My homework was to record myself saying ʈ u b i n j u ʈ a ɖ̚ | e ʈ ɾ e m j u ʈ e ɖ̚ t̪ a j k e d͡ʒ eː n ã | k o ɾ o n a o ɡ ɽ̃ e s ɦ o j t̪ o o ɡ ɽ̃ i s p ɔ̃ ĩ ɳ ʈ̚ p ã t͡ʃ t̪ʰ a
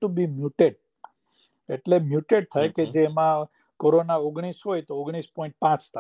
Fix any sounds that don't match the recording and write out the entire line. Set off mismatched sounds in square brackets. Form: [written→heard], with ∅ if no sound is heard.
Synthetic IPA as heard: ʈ u b i [n→m] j u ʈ [a→e] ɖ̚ | e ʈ [ɾ→l] e m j u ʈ e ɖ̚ [t̪→t̪ʰ] a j k e d͡ʒ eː [n→m] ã | k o ɾ o n a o ɡ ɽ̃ [e→i] s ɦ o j t̪ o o ɡ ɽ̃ i s p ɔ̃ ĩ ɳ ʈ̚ p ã t͡ʃ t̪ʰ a